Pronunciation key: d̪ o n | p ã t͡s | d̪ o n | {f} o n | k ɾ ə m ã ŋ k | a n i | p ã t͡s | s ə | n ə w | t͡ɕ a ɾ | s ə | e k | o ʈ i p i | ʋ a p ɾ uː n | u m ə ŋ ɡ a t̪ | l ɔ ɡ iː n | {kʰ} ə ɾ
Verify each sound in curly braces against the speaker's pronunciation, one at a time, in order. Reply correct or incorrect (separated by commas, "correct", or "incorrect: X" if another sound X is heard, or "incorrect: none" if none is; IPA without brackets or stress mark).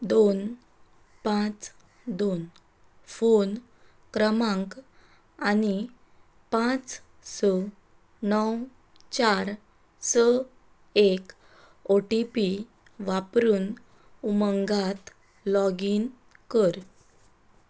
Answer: correct, incorrect: k